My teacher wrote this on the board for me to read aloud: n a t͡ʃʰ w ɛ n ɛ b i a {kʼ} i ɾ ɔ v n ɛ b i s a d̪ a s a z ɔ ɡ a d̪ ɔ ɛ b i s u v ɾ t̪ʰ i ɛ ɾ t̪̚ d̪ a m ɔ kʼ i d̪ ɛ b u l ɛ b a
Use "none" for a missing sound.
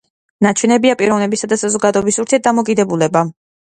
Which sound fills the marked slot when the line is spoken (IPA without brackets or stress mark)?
pʼ